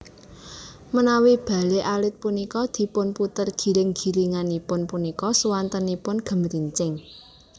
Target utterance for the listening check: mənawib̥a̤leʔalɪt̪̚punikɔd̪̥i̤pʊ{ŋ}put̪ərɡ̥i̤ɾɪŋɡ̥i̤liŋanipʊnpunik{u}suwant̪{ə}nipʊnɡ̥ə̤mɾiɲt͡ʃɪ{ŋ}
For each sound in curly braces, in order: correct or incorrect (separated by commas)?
incorrect, incorrect, correct, correct